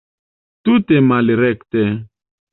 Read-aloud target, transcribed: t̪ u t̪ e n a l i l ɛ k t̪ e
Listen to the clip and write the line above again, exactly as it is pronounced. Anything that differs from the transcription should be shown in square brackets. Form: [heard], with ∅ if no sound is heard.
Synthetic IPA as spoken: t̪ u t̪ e [m] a l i [ɾ] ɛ k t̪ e